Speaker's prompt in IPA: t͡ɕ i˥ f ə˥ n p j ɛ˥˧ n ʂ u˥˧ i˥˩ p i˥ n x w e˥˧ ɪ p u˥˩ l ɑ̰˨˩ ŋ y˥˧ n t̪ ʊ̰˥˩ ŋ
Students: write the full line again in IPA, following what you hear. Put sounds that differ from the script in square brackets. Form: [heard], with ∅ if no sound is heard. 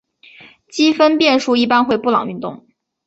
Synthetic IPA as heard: t͡ɕ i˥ f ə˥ n p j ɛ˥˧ n ʂ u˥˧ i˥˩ p [a˥] n x w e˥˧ ɪ p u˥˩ l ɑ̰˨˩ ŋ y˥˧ n t̪ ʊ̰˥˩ ŋ